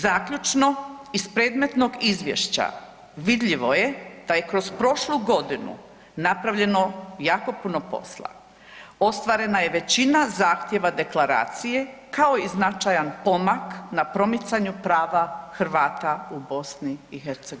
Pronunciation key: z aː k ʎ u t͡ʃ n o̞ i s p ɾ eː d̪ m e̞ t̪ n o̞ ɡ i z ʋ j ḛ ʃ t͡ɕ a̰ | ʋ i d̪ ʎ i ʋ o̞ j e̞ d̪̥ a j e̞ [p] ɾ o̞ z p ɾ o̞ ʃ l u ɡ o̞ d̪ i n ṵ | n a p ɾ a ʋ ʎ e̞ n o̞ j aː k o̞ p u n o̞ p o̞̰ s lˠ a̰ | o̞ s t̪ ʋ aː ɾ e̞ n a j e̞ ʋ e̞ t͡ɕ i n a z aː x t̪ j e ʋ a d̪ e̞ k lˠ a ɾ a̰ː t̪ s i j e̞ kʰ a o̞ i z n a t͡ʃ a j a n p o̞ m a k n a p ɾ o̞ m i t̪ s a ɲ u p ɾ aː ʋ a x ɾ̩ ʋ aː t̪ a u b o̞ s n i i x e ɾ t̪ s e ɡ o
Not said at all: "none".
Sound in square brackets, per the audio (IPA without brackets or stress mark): k